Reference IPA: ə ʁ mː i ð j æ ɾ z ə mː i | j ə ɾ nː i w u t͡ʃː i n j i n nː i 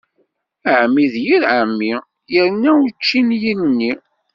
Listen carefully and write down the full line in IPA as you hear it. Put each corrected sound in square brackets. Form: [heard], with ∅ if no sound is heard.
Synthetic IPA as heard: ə [ʕ] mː i ð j [i] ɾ [ʕ] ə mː i | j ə ɾ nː [æ] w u t͡ʃː i n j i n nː i